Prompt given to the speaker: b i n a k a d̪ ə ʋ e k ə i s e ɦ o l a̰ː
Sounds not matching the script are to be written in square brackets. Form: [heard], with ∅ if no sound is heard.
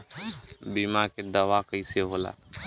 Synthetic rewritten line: b i [m] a k [e] d̪ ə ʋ [a] k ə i s e ɦ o l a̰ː